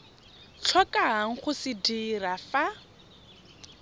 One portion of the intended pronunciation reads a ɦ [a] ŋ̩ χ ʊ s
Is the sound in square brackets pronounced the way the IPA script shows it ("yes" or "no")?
yes